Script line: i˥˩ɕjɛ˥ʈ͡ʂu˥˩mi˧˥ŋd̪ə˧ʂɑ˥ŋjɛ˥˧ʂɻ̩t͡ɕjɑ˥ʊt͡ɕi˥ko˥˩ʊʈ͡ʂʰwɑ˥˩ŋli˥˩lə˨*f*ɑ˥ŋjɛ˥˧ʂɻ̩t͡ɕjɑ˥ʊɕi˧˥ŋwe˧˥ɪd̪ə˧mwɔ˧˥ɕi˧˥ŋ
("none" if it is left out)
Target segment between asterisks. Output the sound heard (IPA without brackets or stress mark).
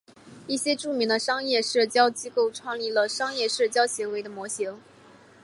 ʂ